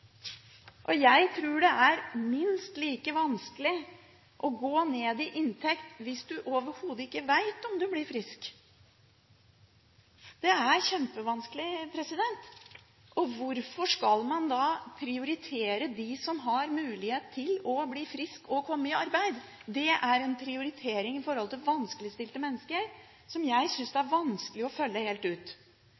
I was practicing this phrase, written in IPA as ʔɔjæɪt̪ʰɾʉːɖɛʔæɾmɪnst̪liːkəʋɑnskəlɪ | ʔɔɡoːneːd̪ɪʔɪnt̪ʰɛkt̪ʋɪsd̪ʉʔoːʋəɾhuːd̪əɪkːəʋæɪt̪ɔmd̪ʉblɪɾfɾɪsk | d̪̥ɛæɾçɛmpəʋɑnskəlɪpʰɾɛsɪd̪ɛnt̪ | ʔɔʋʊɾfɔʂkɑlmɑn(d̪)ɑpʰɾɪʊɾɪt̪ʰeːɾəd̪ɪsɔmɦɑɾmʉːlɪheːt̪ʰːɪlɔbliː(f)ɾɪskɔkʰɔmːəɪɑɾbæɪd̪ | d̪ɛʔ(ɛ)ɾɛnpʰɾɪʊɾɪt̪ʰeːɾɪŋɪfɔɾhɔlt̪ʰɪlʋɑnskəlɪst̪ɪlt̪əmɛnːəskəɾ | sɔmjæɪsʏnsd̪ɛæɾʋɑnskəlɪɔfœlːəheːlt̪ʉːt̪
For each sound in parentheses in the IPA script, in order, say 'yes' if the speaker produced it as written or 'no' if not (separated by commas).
yes, yes, no